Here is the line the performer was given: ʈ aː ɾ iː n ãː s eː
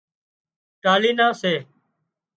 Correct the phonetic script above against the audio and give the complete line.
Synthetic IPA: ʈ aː l iː n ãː s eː